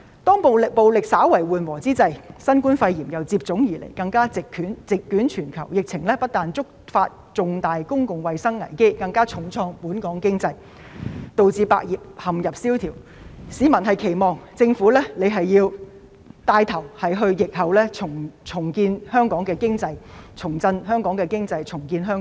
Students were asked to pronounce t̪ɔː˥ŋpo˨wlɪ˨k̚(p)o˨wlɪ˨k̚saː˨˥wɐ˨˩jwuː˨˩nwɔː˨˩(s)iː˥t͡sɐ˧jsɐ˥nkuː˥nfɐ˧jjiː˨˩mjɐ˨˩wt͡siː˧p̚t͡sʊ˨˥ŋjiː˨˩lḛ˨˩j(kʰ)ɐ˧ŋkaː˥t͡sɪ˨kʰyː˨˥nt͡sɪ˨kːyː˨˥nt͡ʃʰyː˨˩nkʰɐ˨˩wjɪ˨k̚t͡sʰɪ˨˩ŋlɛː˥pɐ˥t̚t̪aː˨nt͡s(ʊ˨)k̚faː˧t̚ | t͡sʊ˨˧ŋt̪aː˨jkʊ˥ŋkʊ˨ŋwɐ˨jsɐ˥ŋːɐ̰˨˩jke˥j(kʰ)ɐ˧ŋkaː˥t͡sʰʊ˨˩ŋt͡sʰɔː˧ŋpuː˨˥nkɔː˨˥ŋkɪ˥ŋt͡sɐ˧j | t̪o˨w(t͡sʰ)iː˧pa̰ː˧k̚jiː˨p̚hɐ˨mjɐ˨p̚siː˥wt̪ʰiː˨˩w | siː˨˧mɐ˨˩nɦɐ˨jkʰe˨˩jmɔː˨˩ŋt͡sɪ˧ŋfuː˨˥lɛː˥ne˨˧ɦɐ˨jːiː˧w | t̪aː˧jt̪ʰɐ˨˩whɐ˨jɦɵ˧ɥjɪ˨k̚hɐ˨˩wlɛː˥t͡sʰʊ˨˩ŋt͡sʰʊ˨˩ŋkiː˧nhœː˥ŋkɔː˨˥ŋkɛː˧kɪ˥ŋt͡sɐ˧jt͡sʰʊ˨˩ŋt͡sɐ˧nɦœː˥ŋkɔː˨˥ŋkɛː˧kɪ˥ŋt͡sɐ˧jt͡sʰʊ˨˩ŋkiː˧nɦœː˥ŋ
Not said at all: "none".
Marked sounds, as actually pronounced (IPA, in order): p, t͡s, k, ʊ˥, k, t͡s

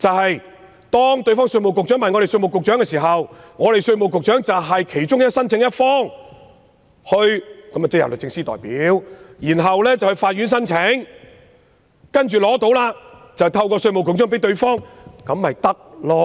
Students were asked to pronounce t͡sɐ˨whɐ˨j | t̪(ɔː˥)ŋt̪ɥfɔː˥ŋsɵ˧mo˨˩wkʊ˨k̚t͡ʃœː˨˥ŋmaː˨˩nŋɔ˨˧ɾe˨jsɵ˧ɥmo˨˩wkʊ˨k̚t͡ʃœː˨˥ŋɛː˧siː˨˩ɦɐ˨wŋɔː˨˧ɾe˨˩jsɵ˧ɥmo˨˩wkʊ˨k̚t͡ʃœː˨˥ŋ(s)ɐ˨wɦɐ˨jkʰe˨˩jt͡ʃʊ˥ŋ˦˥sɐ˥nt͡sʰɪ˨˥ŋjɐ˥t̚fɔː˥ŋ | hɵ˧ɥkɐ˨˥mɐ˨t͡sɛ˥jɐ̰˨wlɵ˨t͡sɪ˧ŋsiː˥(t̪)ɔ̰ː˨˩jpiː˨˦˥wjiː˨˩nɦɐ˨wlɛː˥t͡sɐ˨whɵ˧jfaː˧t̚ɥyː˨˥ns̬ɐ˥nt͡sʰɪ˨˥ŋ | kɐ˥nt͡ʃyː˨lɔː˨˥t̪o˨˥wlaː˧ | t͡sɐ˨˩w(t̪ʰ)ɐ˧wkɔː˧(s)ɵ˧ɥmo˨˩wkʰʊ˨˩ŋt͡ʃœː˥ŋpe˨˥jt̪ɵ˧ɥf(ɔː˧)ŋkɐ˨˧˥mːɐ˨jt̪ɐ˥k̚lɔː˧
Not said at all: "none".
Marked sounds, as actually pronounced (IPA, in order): ɔː˥, t͡s, t̪, t̪ʰ, s, ɔː˥

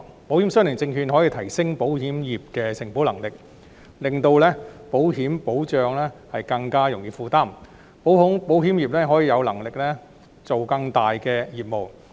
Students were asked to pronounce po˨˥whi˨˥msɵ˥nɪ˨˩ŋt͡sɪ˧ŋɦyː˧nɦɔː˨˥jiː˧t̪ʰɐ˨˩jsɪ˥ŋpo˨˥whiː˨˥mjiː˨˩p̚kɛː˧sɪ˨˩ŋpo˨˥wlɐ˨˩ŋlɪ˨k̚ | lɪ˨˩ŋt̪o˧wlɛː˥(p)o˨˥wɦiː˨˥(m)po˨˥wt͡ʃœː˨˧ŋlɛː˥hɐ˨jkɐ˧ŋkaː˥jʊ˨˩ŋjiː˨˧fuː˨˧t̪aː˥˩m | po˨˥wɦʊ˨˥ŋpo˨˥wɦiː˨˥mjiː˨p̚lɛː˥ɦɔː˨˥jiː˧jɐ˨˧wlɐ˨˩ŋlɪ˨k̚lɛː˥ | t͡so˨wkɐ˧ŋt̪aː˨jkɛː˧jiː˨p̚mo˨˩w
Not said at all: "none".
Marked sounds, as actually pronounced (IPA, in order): p, m

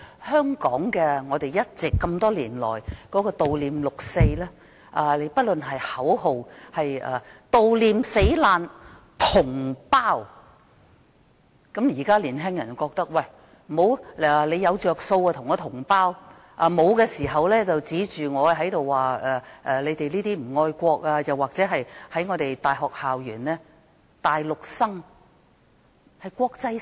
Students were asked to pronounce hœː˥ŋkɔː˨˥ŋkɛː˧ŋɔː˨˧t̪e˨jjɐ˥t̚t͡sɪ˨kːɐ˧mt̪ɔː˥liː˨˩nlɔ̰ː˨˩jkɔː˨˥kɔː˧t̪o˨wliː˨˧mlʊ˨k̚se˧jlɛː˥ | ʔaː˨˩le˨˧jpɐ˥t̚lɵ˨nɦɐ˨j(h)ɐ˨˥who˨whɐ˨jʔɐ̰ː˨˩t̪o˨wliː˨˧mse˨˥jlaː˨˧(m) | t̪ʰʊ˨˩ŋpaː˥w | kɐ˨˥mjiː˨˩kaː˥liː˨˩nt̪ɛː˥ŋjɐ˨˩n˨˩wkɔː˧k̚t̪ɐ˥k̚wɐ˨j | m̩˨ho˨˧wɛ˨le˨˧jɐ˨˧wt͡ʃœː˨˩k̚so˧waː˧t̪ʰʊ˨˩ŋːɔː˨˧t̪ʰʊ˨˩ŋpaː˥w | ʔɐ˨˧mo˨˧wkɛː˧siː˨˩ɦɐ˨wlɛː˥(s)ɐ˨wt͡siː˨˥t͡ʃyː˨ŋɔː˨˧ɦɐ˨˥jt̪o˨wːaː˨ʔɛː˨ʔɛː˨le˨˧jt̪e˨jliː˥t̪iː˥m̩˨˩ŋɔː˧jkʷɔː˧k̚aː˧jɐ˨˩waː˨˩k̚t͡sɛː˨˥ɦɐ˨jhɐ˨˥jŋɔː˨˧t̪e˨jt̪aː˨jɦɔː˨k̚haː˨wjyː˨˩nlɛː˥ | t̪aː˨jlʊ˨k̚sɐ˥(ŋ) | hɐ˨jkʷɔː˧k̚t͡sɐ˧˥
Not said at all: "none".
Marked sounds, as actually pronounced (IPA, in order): h, n, t͡s, ŋ

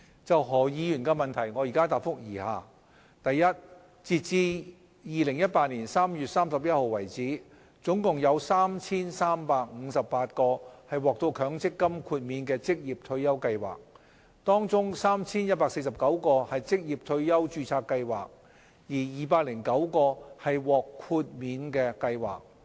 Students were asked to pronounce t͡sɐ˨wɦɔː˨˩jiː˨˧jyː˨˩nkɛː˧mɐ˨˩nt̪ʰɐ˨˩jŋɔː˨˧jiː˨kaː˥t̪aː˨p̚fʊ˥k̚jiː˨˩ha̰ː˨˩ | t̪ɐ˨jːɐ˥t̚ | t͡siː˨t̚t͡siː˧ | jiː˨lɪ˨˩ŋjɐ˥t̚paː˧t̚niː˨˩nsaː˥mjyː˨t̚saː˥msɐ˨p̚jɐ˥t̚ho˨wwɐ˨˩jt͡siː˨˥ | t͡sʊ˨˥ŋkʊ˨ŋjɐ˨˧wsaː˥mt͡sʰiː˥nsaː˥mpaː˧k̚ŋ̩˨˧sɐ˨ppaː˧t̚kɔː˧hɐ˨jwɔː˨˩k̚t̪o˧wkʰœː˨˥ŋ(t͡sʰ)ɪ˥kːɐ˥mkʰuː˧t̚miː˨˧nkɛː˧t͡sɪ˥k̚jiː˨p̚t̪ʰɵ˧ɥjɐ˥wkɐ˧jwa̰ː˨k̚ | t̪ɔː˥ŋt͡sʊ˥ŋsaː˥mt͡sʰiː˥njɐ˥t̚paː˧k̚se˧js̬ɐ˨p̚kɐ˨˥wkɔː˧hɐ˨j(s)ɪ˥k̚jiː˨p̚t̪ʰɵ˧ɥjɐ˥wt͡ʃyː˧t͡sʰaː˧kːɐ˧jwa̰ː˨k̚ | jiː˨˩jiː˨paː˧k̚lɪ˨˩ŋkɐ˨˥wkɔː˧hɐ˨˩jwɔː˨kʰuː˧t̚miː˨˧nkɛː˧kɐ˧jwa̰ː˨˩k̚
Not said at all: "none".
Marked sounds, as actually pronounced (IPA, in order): t͡s, t͡s

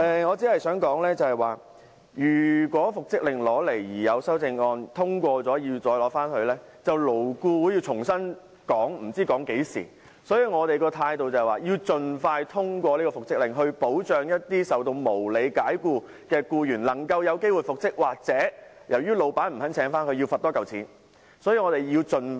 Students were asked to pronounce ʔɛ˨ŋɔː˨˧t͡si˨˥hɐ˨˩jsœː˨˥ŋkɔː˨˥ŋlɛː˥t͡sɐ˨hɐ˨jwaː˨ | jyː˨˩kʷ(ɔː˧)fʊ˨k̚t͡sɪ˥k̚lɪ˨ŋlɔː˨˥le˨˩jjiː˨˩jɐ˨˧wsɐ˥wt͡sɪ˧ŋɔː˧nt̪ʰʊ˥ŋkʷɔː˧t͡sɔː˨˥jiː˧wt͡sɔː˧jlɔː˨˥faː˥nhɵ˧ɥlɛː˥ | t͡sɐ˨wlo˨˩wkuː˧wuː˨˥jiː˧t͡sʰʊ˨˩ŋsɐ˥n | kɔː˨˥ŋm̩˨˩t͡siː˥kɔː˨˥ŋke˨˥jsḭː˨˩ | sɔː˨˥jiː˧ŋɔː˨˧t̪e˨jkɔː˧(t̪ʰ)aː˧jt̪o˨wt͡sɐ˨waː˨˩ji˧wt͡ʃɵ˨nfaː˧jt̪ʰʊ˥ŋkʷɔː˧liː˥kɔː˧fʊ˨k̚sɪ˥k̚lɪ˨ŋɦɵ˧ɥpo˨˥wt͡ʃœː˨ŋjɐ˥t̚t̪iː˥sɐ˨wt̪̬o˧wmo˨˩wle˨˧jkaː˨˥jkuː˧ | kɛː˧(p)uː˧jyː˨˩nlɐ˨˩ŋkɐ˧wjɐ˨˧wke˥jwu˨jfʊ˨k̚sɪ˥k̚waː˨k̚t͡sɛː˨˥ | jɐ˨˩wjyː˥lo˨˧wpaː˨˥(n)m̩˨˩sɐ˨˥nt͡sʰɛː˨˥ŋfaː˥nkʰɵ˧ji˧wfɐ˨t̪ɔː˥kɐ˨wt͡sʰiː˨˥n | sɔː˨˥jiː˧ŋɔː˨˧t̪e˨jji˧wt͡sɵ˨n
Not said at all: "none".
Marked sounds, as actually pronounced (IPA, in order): ɔː˨˥, t̪ʰ, k, n

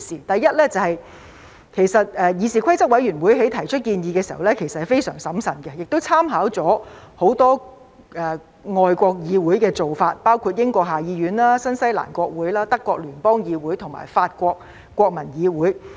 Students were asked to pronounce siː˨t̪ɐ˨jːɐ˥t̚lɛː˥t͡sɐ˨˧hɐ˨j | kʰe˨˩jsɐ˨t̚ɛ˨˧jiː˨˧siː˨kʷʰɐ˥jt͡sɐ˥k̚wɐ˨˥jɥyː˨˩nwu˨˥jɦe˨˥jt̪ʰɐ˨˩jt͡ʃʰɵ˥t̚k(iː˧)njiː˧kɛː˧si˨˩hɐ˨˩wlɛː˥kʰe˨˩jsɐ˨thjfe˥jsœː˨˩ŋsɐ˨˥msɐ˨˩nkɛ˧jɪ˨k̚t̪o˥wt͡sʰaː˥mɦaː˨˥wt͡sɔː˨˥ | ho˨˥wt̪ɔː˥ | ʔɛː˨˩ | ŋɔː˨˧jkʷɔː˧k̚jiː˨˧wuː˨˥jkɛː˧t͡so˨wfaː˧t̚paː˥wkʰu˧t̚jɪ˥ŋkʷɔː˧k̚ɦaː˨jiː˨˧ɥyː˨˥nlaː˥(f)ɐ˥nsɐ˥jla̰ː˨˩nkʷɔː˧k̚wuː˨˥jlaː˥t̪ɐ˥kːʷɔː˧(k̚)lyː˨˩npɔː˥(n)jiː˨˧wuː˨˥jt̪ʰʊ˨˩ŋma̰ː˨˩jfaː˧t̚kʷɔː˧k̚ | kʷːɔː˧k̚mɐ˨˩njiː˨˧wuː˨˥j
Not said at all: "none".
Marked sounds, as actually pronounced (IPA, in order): iː˧, s, k̚, ŋ

